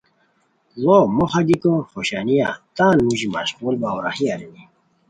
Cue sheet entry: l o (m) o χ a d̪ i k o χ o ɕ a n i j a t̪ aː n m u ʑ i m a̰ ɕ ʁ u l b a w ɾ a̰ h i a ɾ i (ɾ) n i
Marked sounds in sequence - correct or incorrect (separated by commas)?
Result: correct, incorrect